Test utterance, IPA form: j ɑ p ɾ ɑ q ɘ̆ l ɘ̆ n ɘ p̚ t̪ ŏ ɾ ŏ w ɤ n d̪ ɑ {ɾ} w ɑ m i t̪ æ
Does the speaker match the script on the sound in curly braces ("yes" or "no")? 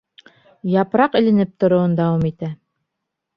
no